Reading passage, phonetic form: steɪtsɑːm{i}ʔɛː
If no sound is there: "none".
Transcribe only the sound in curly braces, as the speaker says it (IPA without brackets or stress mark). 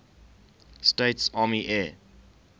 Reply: i